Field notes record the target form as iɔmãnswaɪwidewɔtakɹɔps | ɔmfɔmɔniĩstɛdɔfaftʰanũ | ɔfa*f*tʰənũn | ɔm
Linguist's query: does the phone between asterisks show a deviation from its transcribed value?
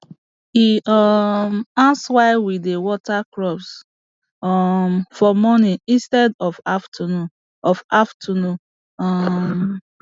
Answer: no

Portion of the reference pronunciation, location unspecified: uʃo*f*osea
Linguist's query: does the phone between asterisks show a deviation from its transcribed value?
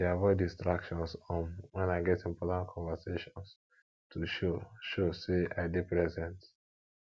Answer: yes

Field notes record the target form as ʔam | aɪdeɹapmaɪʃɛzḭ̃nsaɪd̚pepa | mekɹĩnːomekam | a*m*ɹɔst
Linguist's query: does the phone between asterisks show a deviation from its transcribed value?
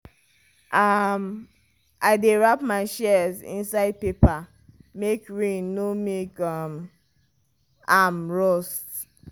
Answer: no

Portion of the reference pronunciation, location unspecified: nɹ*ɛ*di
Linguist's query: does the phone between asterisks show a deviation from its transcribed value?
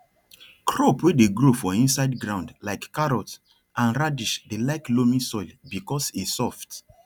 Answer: yes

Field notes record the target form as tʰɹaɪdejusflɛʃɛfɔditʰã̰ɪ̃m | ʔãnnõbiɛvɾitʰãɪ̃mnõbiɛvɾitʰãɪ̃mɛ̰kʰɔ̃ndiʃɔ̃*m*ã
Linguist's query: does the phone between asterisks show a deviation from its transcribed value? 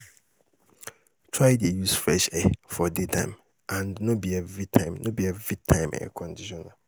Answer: yes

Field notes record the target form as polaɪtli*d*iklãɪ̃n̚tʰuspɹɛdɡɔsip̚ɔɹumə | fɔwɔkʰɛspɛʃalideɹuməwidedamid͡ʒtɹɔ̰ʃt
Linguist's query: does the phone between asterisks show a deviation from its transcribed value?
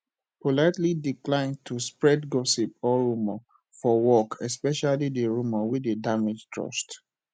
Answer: no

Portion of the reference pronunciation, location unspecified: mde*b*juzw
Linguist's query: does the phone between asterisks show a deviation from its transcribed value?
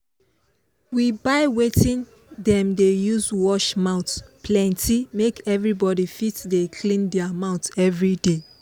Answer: yes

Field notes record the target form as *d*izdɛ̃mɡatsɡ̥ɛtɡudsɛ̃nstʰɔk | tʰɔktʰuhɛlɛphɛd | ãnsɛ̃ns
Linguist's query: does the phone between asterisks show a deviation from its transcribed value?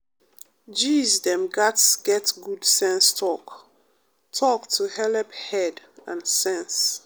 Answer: yes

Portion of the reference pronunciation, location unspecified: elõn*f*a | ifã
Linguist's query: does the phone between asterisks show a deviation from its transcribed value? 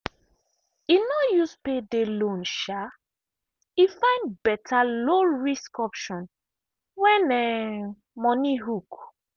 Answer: yes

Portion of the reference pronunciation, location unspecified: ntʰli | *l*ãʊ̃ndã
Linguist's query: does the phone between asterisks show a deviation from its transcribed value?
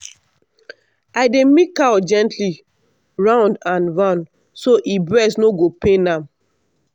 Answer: yes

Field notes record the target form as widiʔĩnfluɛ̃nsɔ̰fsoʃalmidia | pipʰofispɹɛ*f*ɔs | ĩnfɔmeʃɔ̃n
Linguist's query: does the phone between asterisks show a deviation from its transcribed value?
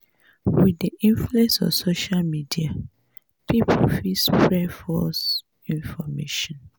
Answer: no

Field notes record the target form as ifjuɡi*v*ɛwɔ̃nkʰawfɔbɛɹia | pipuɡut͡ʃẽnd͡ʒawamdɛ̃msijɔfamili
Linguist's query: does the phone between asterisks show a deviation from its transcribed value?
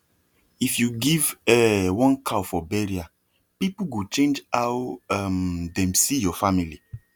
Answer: no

